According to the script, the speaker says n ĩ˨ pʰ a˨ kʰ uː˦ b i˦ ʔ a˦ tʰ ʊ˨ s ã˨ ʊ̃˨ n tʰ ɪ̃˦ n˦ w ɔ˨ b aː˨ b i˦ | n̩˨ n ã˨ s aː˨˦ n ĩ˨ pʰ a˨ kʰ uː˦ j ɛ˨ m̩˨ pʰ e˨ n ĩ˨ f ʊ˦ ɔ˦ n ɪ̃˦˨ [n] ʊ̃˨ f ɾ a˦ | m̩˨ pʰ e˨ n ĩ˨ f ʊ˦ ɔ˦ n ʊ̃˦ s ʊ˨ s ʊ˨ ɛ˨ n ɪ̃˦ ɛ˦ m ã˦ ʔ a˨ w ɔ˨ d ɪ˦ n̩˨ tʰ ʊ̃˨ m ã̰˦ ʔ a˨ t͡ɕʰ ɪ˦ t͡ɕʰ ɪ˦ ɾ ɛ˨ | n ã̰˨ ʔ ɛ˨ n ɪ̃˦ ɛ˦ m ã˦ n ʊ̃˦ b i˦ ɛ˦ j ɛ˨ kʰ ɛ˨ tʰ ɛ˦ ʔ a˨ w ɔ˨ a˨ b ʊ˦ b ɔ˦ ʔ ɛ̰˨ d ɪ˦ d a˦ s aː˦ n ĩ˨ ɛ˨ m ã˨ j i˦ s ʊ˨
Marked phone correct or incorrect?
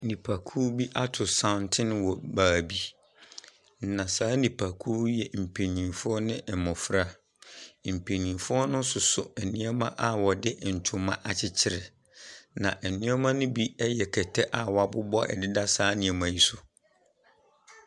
incorrect